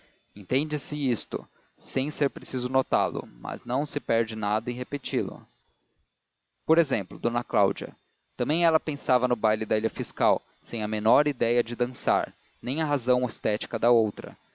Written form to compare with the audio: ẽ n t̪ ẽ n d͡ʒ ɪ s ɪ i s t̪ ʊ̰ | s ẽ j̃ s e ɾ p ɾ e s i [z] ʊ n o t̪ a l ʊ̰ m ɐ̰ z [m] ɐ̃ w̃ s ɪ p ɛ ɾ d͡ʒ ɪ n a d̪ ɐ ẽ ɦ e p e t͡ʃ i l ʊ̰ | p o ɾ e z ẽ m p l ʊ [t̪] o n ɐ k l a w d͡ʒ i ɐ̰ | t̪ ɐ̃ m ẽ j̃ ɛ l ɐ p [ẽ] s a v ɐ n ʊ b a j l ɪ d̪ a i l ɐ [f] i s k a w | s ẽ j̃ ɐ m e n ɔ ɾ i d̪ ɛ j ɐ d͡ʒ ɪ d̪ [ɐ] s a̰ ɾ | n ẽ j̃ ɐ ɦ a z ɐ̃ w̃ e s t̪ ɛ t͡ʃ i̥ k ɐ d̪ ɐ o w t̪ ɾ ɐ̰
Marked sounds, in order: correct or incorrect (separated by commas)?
correct, incorrect, incorrect, correct, correct, incorrect